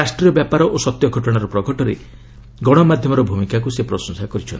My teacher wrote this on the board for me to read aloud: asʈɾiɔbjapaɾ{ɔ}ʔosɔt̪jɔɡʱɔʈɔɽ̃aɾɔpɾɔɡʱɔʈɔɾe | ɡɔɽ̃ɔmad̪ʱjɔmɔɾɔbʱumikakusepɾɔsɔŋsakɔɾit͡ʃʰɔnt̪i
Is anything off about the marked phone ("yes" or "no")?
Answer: no